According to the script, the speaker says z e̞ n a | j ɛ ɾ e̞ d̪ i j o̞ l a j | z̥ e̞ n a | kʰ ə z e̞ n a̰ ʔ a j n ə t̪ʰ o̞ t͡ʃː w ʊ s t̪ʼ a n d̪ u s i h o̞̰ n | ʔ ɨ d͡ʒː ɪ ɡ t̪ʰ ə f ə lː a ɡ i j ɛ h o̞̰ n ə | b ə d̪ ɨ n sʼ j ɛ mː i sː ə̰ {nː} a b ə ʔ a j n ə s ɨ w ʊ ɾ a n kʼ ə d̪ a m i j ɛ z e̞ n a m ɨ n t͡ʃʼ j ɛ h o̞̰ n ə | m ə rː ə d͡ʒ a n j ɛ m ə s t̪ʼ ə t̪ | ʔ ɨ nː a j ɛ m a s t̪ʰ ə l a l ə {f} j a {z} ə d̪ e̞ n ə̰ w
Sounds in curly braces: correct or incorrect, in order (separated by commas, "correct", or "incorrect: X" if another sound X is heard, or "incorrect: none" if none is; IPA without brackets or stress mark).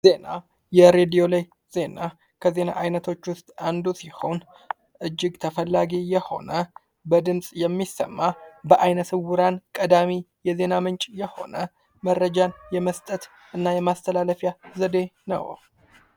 incorrect: mː, correct, correct